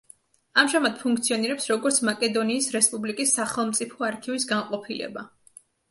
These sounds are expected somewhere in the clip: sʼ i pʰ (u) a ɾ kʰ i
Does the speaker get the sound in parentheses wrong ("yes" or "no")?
yes